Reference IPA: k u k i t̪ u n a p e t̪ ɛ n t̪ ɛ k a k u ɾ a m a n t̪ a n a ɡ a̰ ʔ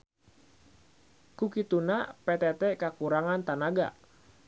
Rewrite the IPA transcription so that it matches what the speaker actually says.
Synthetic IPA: k u k i t̪ u n a p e t̪ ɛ t̪ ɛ k a k u ɾ a ŋ a n t̪ a n a ɡ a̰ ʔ